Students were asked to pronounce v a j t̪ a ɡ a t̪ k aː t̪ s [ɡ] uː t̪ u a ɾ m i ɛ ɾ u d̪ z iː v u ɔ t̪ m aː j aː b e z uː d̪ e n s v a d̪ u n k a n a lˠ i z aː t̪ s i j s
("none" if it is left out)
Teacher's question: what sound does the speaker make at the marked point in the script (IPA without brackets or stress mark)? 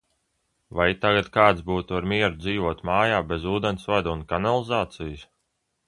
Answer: b